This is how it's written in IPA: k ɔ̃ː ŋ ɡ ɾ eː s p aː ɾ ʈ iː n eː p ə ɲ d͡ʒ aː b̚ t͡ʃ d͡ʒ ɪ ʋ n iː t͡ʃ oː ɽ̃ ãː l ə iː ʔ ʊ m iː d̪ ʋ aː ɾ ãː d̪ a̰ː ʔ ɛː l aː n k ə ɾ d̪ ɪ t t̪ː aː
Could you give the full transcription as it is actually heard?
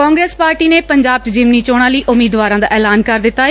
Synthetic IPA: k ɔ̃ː ŋ ɡ ɾ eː s p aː ɾ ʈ iː n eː p ə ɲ d͡ʒ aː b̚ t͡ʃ d͡ʒ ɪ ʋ n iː t͡ʃ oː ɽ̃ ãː l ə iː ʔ ʊ m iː d̪ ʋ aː ɾ ãː d̪ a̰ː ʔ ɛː l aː n k ə ɾ d̪ ɪ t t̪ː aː